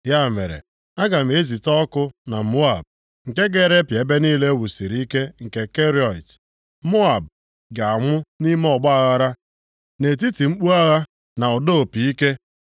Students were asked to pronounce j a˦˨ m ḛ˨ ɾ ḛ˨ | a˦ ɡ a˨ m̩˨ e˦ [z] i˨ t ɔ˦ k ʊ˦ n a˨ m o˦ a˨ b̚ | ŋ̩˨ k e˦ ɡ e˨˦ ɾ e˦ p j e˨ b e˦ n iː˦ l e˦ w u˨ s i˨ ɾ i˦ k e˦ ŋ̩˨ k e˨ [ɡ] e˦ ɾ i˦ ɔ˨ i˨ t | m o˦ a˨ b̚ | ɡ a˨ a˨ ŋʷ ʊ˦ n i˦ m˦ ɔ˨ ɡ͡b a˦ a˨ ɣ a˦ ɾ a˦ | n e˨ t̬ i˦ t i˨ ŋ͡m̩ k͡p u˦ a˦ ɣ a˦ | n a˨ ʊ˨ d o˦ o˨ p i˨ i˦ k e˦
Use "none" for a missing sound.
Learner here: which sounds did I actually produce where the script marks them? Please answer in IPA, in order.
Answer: z, k

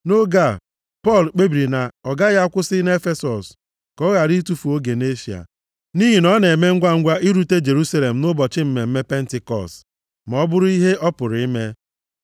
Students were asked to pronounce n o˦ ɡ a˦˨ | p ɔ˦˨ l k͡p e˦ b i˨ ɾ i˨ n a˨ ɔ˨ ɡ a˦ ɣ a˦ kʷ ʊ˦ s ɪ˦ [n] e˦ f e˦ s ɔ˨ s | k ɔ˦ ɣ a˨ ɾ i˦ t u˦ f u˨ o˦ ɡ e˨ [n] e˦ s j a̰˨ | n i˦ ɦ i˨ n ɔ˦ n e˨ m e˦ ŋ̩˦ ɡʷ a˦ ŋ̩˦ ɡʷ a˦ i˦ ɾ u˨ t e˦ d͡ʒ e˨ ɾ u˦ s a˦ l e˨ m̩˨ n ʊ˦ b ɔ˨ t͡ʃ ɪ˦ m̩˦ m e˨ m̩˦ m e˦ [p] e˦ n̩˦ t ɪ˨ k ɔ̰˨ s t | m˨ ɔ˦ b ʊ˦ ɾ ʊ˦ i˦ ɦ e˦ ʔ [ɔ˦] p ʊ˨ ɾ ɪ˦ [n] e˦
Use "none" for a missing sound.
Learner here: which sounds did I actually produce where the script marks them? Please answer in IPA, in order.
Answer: n, n, p, ɔ˦, m

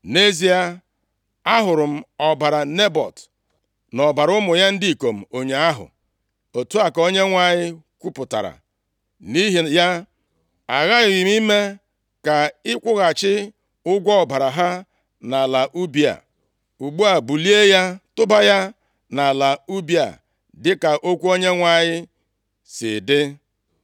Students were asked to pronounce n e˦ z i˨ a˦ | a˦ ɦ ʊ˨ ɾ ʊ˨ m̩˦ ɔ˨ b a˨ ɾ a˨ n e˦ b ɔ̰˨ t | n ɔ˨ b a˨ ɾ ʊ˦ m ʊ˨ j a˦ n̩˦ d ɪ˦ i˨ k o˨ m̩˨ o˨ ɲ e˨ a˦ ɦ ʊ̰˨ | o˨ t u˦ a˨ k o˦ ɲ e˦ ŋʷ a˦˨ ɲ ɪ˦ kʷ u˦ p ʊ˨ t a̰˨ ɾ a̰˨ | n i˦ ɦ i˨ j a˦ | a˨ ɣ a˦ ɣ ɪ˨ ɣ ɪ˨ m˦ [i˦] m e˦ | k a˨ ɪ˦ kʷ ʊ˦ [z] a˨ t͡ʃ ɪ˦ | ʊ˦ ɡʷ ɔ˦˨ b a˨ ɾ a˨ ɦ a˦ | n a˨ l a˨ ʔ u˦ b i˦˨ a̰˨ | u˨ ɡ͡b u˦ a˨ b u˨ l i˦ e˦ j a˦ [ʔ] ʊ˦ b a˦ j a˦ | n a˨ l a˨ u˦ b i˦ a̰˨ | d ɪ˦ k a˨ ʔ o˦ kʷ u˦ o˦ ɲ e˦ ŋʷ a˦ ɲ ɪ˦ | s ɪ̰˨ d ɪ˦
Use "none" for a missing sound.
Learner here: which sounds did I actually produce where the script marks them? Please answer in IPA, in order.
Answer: i˦, ɣ, t

